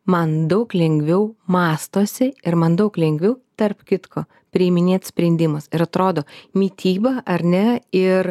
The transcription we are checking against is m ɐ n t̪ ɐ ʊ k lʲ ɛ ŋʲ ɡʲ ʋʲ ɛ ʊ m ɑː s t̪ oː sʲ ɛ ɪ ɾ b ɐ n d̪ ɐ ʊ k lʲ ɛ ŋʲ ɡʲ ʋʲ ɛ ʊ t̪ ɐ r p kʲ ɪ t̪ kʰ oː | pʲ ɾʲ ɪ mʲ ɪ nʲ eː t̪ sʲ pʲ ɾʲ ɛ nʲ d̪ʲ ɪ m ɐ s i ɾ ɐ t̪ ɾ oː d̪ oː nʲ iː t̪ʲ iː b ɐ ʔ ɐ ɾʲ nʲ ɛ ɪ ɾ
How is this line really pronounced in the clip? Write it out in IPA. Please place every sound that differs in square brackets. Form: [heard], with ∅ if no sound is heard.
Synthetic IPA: m ɐ n [d̪] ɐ ʊ k lʲ ɛ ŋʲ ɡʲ ʋʲ ɛ ʊ m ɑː s t̪ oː sʲ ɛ ɪ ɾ [m] ɐ n d̪ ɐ ʊ k lʲ ɛ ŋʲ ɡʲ ʋʲ ɛ ʊ t̪ ɐ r p kʲ ɪ t̪ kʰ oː | pʲ ɾʲ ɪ mʲ ɪ nʲ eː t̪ sʲ pʲ ɾʲ ɛ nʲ d̪ʲ ɪ m ɐ s [ɪ] ɾ ɐ t̪ ɾ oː d̪ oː [mʲ] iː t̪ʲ iː b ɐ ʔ ɐ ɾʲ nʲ ɛ ɪ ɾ